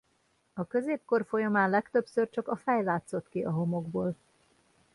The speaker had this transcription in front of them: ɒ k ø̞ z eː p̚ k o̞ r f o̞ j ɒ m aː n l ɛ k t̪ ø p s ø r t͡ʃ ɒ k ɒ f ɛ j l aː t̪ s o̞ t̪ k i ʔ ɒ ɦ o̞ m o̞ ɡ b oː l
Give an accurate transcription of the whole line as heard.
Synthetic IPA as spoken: ɒ k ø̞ z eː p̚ k o̞ r f o̞ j ɒ m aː n l ɛ k t̪ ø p s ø r t͡ʃ ɒ k ɒ f ɛ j l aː t̪ s o̞ t̪ k i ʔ ɒ ɦ o̞ m o̞ ɡ b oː l